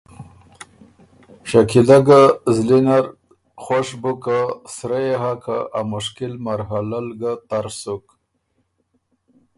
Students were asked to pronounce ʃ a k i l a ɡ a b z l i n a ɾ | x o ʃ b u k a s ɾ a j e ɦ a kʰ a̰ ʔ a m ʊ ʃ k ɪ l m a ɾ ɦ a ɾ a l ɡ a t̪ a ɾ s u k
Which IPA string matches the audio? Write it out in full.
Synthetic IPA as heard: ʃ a k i l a ɡ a z l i n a ɾ | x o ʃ b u k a s ɾ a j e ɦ a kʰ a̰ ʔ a m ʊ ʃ k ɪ l m a ɾ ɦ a l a l ɡ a t̪ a ɾ s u k